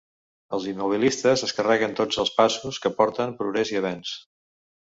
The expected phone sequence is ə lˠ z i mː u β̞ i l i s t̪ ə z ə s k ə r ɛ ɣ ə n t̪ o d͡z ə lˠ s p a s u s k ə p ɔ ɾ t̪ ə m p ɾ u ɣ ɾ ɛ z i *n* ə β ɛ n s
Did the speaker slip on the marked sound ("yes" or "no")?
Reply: yes